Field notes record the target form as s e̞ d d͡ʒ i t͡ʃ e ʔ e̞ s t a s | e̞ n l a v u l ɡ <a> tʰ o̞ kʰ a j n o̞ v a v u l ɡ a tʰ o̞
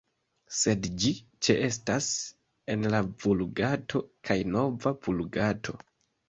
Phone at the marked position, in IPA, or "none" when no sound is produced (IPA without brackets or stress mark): a